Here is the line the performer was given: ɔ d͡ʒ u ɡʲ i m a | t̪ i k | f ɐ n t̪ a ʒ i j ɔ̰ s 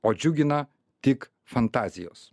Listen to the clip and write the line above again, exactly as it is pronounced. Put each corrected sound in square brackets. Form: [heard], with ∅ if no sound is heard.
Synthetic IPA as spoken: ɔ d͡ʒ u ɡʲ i [n] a | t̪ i k | f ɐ n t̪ a [z] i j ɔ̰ s

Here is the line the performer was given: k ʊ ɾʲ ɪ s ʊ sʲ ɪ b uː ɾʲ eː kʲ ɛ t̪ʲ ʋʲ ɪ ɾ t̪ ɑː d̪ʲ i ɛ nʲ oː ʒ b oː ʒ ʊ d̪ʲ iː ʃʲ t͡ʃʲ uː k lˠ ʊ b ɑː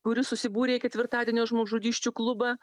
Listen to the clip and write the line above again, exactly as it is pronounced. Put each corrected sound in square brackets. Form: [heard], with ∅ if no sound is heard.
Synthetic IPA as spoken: k ʊ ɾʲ ɪ s ʊ sʲ ɪ b uː ɾʲ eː kʲ ɛ t̪ʲ ʋʲ ɪ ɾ t̪ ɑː d̪ʲ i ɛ nʲ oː ʒ [m] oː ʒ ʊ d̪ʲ iː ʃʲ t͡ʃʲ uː k lˠ ʊ b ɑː

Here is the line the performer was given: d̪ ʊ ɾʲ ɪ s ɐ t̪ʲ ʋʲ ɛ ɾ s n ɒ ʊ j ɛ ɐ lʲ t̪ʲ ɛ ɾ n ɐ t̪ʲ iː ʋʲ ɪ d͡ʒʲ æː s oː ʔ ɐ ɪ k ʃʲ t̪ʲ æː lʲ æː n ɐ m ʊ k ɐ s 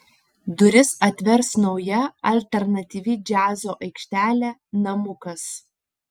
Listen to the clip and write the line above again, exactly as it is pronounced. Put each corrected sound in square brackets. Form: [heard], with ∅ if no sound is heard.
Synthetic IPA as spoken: d̪ ʊ ɾʲ ɪ s ɐ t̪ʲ ʋʲ ɛ ɾ s n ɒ ʊ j ɛ ɐ lʲ t̪ʲ ɛ ɾ n ɐ t̪ʲ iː ʋʲ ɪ d͡ʒʲ æː [z] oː ʔ ɐ ɪ k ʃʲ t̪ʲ æː lʲ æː n ɐ m ʊ k ɐ s

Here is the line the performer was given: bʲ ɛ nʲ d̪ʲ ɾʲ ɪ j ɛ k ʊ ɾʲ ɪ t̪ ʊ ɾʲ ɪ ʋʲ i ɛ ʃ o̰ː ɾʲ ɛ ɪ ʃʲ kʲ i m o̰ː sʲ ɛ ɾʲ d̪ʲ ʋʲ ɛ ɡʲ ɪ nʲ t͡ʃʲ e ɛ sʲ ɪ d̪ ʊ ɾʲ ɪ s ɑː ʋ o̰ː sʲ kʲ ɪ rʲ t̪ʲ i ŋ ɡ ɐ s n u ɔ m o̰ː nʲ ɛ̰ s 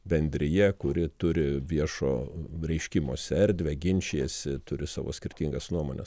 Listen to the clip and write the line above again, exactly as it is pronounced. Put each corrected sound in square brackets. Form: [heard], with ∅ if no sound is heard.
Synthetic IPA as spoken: bʲ ɛ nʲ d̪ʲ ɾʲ ɪ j ɛ k ʊ ɾʲ ɪ t̪ ʊ ɾʲ ɪ ʋʲ i ɛ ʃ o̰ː ɾʲ ɛ ɪ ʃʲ kʲ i m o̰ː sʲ ɛ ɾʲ d̪ʲ ʋʲ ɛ ɡʲ ɪ nʲ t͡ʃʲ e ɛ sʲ ɪ [t̪] ʊ ɾʲ ɪ s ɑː ʋ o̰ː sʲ kʲ ɪ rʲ t̪ʲ i ŋ ɡ ɐ s n u ɔ m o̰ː nʲ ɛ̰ s

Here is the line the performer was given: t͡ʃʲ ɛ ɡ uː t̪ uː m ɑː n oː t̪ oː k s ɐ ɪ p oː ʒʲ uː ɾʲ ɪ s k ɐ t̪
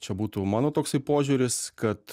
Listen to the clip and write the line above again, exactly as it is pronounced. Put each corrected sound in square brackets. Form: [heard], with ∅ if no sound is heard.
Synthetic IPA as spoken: t͡ʃʲ ɛ [b] uː t̪ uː m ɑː n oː t̪ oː k s ɐ ɪ p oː ʒʲ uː ɾʲ ɪ s k ɐ t̪

